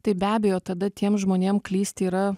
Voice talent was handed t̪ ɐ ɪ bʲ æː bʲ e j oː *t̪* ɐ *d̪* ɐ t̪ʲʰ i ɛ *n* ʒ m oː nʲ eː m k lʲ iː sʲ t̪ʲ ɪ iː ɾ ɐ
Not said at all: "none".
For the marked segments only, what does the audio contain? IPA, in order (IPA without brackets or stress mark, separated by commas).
t̪, d̪, m